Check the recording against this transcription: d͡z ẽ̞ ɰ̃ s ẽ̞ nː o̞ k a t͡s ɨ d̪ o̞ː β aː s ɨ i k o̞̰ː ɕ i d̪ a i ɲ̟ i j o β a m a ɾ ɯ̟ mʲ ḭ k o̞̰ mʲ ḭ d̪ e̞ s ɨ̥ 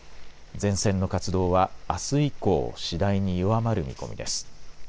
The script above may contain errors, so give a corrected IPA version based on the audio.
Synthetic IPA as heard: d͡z ẽ̞ ɰ̃ s ẽ̞ nː o̞ k a t͡s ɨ d̪ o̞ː β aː s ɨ i k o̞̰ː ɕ i d̪ a i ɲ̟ i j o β a m a ɾ ɯ̟ mʲ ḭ k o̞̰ mʲ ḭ d̪ e̞ s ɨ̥